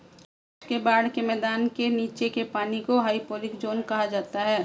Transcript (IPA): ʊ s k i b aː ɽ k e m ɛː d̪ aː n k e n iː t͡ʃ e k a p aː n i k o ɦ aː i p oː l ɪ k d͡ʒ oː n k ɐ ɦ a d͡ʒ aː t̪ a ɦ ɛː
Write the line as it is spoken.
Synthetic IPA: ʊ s k e b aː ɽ k e m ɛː d̪ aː n k e n iː t͡ʃ e k e p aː n i k o ɦ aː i p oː l ɪ k d͡ʒ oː n k ɐ ɦ a d͡ʒ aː t̪ a ɦ ɛː

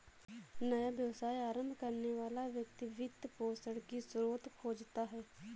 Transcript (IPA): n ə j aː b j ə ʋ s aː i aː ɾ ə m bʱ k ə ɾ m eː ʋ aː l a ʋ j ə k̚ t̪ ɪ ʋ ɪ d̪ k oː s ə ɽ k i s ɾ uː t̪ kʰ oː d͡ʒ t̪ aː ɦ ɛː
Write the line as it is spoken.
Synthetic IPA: n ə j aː b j ə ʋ s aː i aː ɾ ə m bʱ k ə ɾ n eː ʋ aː l a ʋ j ə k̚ t̪ i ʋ ɪ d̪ p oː s ə ɽ k i s ɾ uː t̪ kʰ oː d͡ʒ t̪ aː ɦ ɛː

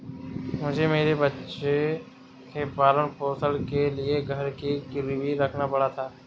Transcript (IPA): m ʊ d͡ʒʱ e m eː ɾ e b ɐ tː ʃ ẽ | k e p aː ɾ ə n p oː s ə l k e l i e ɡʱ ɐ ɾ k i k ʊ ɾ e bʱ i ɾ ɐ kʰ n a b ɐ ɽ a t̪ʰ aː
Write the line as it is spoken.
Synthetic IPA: m ʊ d͡ʒʱ e m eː ɾ e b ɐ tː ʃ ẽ | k e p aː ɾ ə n p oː s ə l k e l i e ɡʱ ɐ ɾ k i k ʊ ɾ i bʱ i ɾ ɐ kʰ n a p ɐ ɽ a t̪ʰ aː

